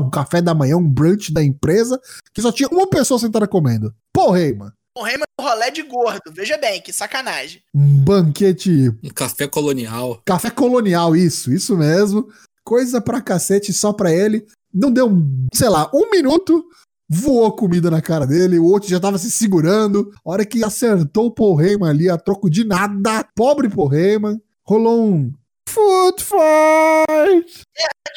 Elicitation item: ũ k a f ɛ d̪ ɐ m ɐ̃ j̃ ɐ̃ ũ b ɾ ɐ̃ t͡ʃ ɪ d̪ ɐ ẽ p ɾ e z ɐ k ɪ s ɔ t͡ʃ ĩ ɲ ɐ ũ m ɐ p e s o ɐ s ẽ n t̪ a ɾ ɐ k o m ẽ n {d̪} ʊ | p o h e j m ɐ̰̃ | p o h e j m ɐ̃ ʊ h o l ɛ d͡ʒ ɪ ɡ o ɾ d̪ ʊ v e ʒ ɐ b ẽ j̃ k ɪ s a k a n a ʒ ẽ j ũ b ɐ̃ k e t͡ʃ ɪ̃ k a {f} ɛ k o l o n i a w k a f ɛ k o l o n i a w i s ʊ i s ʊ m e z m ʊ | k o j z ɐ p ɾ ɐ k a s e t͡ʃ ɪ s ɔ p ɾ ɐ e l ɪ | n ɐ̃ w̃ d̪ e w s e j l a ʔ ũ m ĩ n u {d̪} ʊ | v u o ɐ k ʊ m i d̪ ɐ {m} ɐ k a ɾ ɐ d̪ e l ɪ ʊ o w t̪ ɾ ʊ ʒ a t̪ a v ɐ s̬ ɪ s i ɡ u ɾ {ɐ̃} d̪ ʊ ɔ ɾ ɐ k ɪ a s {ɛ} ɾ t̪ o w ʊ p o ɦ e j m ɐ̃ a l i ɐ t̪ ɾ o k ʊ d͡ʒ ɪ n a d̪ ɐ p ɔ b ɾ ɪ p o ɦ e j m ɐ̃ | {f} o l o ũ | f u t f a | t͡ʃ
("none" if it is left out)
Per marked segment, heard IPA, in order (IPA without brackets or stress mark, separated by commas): d̪, f, t̪, n, ɐ̃, e, h